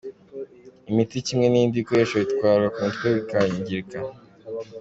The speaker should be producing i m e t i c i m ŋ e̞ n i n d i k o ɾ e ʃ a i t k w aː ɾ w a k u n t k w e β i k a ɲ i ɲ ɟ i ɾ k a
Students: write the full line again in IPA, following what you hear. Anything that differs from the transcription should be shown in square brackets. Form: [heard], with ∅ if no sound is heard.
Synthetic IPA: i m [i] t i c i m ŋ e̞ n i n d i k o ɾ e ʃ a i t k w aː ɾ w a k u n t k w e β i k a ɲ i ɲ ɟ i ɾ k a